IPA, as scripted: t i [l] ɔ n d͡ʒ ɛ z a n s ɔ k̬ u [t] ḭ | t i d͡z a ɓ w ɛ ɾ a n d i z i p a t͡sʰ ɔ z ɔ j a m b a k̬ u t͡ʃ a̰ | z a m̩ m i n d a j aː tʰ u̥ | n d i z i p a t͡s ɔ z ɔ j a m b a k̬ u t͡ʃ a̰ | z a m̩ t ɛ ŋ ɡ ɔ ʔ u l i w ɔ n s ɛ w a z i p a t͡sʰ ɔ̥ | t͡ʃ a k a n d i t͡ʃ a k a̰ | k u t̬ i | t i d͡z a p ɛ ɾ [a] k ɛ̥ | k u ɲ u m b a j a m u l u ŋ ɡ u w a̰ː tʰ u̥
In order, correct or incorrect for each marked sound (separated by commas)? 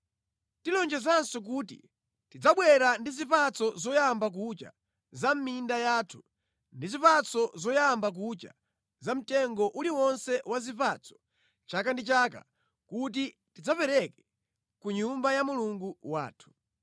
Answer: correct, correct, incorrect